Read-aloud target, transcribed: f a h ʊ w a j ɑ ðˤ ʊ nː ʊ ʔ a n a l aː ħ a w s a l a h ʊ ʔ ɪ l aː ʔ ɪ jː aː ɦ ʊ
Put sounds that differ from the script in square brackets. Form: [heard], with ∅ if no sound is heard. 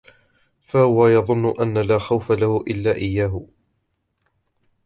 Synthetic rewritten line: f a h ʊ w a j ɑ ðˤ ʊ nː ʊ ʔ a [nː] a l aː [x] a w [f] a l a h ʊ ʔ ɪ [lː] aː ʔ ɪ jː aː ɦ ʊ